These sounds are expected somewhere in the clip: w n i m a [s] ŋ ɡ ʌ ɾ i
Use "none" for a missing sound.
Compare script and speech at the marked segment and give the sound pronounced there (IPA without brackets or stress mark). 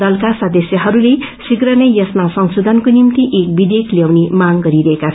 none